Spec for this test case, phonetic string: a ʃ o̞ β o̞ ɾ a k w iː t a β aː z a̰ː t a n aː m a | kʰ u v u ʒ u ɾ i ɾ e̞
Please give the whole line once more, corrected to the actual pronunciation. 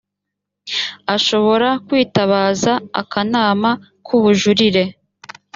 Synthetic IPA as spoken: a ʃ o̞ β o̞ ɾ a k w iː t a β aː z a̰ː k a n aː m a | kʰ u β u ʒ u ɾ i ɾ e̞